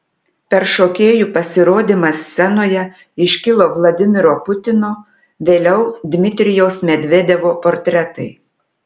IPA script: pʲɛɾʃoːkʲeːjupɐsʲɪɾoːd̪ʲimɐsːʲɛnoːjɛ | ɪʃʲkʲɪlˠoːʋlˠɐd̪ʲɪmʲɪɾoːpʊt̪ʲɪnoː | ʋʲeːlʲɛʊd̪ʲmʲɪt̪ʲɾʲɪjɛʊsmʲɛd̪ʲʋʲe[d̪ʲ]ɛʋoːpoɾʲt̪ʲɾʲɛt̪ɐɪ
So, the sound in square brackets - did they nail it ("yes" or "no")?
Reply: yes